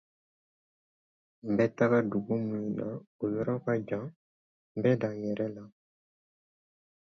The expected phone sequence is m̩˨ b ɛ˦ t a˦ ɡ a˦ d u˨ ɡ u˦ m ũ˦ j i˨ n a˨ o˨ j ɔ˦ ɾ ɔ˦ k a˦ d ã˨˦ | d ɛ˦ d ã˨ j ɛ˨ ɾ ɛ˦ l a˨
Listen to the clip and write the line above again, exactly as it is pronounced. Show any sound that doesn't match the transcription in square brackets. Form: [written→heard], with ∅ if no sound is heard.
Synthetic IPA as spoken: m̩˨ b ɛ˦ t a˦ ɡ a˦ d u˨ ɡ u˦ m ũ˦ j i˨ n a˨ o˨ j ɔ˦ ɾ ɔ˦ k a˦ [d→d͡ʒ] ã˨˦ | [d→b] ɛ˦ d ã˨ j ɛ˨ ɾ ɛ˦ l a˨